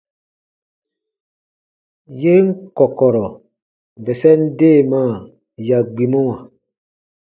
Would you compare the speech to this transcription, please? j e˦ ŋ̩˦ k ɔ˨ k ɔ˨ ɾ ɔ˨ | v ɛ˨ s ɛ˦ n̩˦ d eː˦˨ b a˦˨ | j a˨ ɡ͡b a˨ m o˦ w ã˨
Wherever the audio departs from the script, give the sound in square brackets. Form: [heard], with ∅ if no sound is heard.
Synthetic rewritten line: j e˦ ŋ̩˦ k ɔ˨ k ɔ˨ ɾ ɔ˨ | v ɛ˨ s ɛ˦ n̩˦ d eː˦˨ [m] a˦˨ | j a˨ ɡ͡b [i˨] m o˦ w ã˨

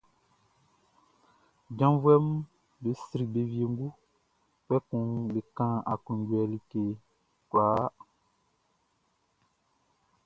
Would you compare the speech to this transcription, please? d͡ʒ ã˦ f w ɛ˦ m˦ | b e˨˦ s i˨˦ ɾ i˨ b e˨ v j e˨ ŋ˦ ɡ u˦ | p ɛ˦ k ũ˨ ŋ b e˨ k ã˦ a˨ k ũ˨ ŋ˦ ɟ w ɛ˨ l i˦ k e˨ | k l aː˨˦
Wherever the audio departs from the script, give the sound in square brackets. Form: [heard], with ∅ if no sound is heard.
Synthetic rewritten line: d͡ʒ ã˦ [v] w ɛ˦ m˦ | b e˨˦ s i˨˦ ɾ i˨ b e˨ v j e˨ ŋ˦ ɡ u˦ | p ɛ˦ k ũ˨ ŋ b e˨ k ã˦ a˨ k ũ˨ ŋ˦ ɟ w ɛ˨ l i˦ k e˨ | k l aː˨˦

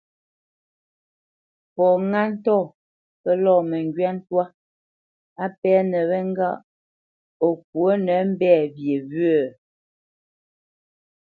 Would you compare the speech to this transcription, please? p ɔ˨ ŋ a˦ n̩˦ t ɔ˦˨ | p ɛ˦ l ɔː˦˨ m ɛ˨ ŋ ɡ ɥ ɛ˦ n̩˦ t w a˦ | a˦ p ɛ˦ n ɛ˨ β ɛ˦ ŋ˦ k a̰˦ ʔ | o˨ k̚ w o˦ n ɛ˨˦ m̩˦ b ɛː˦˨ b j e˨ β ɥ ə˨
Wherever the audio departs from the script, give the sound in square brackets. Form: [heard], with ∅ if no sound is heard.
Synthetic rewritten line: p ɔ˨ ŋ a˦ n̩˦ t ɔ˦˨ | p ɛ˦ l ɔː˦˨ m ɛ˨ ŋ ɡ ɥ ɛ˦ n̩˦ t w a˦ | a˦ p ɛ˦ n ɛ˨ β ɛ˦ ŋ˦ [ɡ] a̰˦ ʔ | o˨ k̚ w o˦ n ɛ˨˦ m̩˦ b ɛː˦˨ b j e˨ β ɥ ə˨

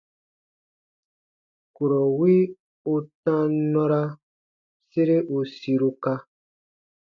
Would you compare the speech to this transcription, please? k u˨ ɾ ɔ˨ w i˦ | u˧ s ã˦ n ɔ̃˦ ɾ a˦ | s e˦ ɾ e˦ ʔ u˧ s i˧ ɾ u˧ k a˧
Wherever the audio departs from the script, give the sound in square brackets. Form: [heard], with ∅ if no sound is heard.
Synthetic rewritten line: k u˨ ɾ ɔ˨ w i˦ | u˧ [t] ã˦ n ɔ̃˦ ɾ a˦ | s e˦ ɾ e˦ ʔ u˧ s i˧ ɾ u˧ k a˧

